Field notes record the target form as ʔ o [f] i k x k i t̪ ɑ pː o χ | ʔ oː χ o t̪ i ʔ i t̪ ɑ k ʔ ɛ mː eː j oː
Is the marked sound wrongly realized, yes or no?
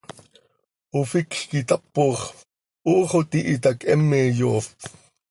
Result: no